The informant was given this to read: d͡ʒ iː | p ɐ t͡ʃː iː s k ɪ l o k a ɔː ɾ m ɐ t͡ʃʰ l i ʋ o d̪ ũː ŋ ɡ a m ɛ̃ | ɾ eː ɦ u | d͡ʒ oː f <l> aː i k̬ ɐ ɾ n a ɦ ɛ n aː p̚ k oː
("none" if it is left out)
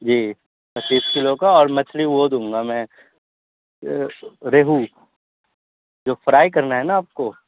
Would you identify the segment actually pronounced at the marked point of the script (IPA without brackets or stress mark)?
ɾ